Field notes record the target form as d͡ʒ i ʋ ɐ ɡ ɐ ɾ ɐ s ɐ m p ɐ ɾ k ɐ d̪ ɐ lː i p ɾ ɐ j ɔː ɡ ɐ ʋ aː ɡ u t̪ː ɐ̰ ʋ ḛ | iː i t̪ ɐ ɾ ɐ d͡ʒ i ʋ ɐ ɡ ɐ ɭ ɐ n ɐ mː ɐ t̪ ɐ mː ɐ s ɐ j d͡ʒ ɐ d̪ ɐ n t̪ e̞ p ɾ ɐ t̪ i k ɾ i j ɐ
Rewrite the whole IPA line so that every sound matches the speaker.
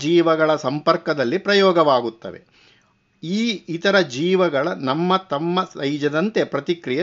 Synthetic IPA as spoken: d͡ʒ iː ʋ ɐ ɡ ɐ ɭ ɐ s ɐ m p ɐ ɾ k ɐ d̪ ɐ lː i p ɾ ɐ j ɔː ɡ ɐ ʋ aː ɡ u t̪ː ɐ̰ ʋ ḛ | iː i t̪ ɐ ɾ ɐ d͡ʒ iː ʋ ɐ ɡ ɐ ɭ ɐ n ɐ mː ɐ t̪ ɐ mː ɐ s ɐ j d͡ʒ ɐ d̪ ɐ n t̪ e̞ p ɾ ɐ t̪ i k ɾ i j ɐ